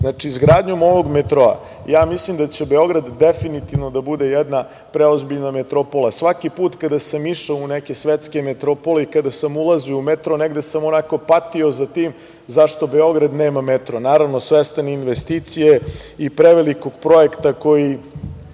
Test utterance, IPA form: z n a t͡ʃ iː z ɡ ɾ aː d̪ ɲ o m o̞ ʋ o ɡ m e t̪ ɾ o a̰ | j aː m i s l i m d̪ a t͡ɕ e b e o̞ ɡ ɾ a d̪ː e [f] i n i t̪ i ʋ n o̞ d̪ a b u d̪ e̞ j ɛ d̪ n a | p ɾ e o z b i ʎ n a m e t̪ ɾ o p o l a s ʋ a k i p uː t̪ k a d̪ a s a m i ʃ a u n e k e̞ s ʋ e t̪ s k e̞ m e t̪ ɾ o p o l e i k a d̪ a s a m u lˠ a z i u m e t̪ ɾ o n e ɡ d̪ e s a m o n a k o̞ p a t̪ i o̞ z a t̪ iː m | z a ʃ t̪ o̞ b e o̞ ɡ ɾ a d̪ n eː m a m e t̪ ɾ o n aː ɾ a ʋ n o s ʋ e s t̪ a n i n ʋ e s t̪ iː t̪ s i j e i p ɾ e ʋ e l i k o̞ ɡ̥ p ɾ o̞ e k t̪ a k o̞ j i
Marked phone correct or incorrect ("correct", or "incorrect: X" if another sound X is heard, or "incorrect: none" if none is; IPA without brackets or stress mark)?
correct